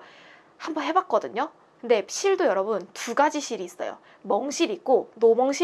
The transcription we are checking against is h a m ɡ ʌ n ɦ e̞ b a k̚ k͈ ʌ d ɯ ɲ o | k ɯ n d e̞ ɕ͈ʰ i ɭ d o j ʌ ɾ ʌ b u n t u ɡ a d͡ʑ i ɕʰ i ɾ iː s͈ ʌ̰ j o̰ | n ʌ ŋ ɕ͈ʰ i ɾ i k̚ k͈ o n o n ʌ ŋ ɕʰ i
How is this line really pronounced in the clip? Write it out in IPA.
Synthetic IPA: h a m b ʌ n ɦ e̞ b a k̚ k͈ ʌ d ɯ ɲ o | k ɯ n d e̞ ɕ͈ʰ i ɭ d o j ʌ ɾ ʌ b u n t u ɡ a d͡ʑ i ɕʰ i ɾ iː s͈ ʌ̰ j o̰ | m ʌ ŋ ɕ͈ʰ i ɾ i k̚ k͈ o n o m ʌ ŋ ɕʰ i

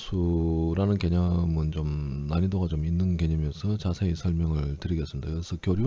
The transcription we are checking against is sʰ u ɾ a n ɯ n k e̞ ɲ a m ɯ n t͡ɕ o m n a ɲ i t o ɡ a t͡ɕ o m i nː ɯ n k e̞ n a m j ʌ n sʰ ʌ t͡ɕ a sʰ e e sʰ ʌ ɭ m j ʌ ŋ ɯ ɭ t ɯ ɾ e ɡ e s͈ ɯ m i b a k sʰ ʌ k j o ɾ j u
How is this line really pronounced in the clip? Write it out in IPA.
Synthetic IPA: sʰ u ɾ a n ɯ n k e̞ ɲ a m ɯ n t͡ɕ o m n a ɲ i d o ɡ a t͡ɕ o m i nː ɯ n k e̞ ɲ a m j ʌ n sʰ ʌ t͡ɕ a sʰ e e sʰ ʌ ɭ m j ʌ ŋ ɯ ɭ t ɯ ɾ i ɡ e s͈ ɯ m i d a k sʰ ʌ k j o ɾ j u

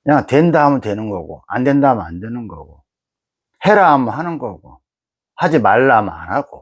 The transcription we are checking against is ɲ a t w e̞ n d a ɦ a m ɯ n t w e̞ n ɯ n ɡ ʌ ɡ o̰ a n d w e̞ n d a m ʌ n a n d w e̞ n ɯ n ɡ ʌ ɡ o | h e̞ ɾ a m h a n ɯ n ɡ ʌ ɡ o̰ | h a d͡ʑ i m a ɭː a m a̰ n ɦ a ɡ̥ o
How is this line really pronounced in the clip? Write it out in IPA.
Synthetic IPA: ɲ a t w e̞ n d a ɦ a m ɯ n t w e̞ n ɯ n ɡ ʌ ɡ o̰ a n d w e̞ n d a m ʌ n a n d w e̞ n ɯ n ɡ ʌ ɡ o | h e̞ ɾ a m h a n ɯ n ɡ ʌ ɡ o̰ | h a d͡ʑ i m a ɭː a m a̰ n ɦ a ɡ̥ o

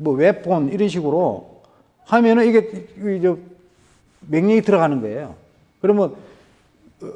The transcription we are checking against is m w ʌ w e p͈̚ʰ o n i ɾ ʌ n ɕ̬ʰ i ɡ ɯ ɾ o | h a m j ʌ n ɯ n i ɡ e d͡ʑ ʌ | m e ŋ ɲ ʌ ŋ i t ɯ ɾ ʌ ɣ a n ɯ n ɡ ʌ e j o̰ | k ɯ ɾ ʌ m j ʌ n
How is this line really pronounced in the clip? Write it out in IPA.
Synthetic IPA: m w ʌ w e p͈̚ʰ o n i ɾ ʌ n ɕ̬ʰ i ɡ ɯ ɾ o | h a m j ʌ n ɯ n i ɡ e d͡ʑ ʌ | m e ŋ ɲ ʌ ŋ i t ɯ ɾ ʌ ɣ a n ɯ n ɡ ʌ e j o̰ | k ɯ ɾ ʌ m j ʌ n

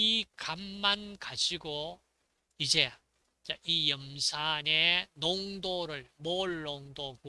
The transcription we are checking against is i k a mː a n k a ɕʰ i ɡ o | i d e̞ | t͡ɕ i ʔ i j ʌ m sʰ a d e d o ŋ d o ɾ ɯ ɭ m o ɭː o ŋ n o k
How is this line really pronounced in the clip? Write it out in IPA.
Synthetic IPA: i k a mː a n k a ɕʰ i ɡ o | i d͡ʑ e̞ | t͡ɕ a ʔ i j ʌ m sʰ a n e n o ŋ d o ɾ ɯ ɭ m o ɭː o ŋ d o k

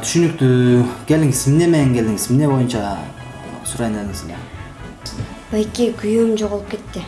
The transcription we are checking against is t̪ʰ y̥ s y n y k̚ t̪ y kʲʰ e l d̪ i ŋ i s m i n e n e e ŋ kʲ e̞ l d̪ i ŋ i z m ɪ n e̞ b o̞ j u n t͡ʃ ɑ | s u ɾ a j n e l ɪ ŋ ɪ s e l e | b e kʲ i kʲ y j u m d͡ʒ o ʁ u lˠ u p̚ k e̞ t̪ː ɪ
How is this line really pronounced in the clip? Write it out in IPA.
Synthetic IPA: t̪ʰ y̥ ʃ y n y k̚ t̪ y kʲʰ e l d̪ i ŋ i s m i n e m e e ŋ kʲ e̞ l d̪ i ŋ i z m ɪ n e̞ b o̞ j u n t͡ʃ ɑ | s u ɾ ɑ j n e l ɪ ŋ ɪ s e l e | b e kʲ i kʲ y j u m d͡ʒ o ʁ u lˠ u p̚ k e̞ t̪ː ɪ

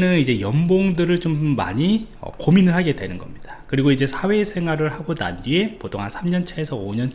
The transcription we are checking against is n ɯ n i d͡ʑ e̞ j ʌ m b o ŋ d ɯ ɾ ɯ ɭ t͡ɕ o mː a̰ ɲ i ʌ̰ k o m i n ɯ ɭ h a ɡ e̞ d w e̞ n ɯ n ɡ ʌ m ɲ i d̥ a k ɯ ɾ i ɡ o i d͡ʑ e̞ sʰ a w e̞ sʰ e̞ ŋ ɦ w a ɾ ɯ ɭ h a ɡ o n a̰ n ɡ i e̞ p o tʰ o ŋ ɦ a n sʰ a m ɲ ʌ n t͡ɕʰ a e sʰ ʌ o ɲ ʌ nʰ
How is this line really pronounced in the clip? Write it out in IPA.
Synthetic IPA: n ɯ n i d͡ʑ e̞ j ʌ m b o ŋ d ɯ ɾ ɯ ɭ t͡ɕ o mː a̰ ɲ i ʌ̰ k o m i n ɯ ɭ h a ɡ e̞ d w e̞ n ɯ n ɡ ʌ m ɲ i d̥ a k ɯ ɾ i ɡ o i d͡ʑ e̞ sʰ a w e̞ sʰ e̞ ŋ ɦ w a ɾ ɯ ɭ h a ɡ o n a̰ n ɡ i e̞ p o tʰ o ŋ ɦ a n sʰ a m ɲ ʌ n t͡ɕʰ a e sʰ ʌ o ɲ ʌ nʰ

